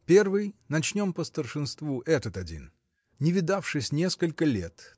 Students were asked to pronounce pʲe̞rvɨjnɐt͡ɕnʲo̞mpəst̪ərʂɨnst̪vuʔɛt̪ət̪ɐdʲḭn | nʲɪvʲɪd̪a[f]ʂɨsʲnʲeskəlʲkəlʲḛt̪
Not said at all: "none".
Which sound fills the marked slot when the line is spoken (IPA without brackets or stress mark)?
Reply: f